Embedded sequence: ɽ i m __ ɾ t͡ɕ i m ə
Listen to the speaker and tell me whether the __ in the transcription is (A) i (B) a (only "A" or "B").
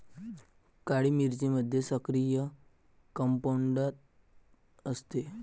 A